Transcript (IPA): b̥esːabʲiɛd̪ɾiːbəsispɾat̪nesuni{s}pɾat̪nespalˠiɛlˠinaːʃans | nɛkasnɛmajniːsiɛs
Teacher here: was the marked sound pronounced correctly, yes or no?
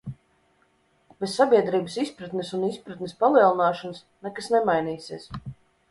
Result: yes